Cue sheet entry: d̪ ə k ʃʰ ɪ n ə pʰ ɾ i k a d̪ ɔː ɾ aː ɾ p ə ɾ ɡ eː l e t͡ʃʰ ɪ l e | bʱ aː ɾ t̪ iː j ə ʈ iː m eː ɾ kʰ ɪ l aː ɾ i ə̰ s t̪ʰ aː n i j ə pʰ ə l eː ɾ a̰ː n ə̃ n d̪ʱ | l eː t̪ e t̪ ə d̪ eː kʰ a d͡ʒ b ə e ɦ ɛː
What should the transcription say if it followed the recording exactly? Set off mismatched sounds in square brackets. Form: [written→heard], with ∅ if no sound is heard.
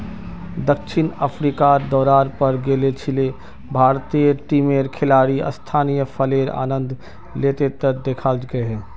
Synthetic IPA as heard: d̪ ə k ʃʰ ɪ n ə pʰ ɾ i k a d̪ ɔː ɾ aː ɾ p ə ɾ ɡ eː l e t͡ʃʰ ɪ l e | bʱ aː ɾ t̪ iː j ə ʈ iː m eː ɾ kʰ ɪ l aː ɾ i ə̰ s t̪ʰ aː n i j ə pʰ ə l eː ɾ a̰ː n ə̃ n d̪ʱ | l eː t̪ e t̪ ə d̪ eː kʰ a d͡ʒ [b→ɡ] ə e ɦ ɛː